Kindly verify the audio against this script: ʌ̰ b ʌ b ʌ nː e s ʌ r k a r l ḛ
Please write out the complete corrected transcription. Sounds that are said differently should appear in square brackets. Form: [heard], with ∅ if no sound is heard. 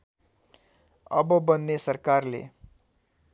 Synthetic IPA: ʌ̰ b ʌ b ʌ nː e s ʌ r k a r l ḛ